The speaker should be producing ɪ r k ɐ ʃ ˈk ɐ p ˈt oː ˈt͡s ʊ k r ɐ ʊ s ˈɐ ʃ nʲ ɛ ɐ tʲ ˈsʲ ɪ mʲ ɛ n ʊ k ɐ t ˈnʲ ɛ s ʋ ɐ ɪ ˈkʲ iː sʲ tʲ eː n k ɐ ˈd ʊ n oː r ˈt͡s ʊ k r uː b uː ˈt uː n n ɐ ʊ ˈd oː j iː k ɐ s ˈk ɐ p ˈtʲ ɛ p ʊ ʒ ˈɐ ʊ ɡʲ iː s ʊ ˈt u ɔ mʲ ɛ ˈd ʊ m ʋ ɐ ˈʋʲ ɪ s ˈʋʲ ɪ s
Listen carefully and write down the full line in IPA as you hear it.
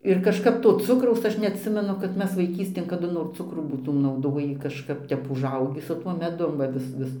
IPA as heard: ɪ r k ɐ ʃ ˈk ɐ p ˈt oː ˈt͡s ʊ k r ɐ ʊ s ˈɐ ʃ nʲ ɛ ɐ tʲ ˈsʲ ɪ mʲ ɛ n ʊ k ɐ t ˈmʲ ɛ s ʋ ɐ ɪ ˈkʲ iː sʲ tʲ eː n k ɐ ˈd ʊ n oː r ˈt͡s ʊ k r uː b uː ˈt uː m n ɐ ʊ ˈd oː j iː k ɐ ʃ ˈk ɐ p ˈtʲ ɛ p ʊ ʒ ˈɐ ʊ ɡʲ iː s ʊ ˈt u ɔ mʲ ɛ ˈd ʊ m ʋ ɐ ˈʋʲ ɪ s ˈʋʲ ɪ s